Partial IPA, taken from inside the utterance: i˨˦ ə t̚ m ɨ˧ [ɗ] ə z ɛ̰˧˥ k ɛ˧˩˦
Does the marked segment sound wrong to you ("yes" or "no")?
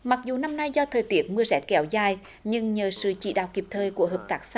yes